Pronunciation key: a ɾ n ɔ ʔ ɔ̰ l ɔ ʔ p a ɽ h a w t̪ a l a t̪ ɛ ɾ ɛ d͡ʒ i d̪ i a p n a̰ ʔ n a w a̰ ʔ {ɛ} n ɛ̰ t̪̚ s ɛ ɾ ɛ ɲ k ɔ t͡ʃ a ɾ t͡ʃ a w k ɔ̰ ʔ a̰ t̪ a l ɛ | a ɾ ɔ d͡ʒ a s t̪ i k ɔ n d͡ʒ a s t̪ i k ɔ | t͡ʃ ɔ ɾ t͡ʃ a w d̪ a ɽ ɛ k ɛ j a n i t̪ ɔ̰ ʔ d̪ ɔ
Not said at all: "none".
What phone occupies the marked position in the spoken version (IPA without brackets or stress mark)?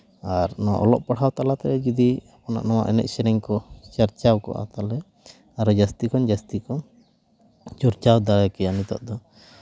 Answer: ɛ